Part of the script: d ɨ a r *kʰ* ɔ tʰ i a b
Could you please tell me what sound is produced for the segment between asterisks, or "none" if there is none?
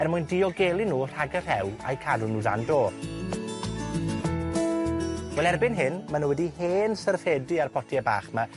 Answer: pʰ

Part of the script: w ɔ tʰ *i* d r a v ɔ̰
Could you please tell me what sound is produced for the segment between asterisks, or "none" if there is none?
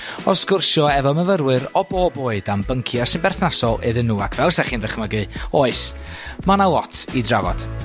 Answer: i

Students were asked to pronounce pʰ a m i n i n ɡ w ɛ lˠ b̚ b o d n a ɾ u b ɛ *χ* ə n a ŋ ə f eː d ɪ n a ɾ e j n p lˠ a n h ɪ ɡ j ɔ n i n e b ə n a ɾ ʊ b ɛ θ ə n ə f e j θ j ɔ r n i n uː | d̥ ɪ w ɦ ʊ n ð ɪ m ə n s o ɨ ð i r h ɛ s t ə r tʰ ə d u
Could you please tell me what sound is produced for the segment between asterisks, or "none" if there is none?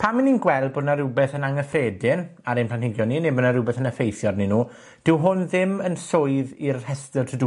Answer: θ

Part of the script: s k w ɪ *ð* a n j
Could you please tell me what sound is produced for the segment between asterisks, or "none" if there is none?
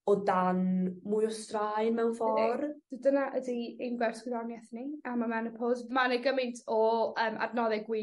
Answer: ð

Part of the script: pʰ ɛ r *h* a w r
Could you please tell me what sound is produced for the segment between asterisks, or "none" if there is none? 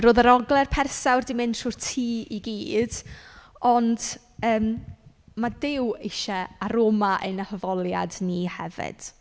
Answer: s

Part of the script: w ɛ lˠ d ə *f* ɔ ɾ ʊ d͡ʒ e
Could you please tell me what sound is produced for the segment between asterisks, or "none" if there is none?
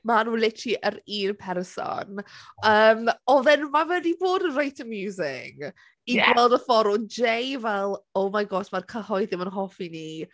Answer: f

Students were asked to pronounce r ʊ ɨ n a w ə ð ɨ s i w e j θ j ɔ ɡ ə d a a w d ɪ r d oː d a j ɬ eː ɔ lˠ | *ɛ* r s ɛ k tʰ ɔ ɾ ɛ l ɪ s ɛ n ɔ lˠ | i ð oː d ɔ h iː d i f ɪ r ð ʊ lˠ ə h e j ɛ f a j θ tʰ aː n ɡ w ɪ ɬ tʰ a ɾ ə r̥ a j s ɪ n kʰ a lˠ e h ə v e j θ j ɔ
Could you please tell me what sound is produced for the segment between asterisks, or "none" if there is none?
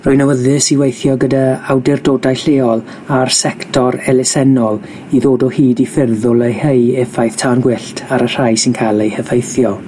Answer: a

